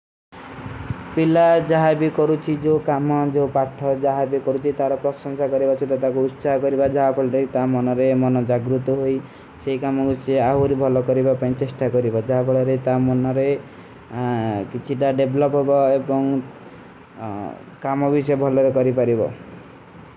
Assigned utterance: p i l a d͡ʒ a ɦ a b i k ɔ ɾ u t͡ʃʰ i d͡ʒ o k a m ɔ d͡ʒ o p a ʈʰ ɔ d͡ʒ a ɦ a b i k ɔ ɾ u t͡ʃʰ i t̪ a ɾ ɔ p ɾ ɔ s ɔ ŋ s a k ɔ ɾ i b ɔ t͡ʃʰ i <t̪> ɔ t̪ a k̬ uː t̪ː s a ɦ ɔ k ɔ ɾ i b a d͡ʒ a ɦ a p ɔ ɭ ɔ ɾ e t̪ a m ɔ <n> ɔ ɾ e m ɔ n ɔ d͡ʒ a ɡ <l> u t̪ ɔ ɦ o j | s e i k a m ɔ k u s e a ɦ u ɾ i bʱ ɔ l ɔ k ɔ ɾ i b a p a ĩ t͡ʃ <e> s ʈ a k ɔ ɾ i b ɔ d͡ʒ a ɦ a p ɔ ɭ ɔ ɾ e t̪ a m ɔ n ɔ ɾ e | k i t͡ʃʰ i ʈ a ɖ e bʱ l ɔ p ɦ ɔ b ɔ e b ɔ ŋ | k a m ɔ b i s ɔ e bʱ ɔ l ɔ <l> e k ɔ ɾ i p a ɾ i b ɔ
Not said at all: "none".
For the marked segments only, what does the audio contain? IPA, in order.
t̪, n, ɾ, e, ɾ

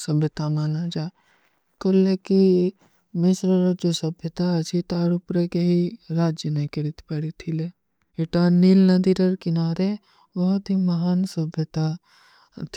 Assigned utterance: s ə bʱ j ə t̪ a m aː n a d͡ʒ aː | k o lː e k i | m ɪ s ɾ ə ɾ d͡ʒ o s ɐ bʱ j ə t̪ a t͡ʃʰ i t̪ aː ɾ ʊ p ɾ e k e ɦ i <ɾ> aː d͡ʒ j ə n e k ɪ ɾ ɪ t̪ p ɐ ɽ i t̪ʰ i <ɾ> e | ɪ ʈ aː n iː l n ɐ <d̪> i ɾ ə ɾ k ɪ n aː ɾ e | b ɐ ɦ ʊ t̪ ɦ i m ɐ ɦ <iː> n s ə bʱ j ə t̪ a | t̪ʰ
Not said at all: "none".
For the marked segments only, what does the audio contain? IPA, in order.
ɾ, l, d̪, aː

